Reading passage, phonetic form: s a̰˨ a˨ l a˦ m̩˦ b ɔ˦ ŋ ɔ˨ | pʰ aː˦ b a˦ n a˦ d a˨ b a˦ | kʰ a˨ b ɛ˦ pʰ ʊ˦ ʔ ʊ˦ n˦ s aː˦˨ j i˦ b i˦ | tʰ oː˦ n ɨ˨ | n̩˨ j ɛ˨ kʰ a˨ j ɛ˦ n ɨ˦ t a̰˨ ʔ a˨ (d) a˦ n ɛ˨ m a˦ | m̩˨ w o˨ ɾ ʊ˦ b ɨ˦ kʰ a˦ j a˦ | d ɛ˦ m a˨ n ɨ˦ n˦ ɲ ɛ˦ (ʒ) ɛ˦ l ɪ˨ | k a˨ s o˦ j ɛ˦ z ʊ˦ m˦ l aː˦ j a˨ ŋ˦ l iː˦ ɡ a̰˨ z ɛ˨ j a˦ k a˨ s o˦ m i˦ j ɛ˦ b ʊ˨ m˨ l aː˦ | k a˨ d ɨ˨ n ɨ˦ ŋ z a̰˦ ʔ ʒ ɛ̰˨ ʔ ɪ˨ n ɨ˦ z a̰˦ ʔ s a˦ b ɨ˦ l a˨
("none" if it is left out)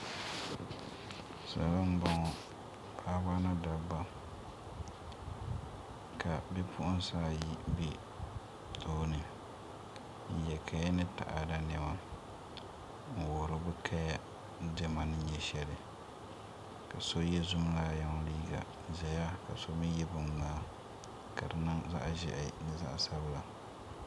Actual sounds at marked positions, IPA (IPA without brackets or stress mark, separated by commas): d, ʃ